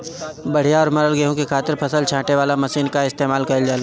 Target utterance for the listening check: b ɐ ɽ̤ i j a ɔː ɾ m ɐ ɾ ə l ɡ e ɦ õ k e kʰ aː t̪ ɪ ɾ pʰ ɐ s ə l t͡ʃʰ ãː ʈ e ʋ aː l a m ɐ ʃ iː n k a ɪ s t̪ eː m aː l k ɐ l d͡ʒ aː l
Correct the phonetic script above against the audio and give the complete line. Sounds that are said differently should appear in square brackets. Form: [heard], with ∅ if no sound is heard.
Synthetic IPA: b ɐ ɽ̤ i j a ɔː ɾ m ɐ ɾ ə l ɡ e ɦ õ k e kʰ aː t̪ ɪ ɾ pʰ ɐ s ə l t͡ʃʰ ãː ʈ e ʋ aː l a m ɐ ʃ iː n k a ɪ s t̪ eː m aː l k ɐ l d͡ʒ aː l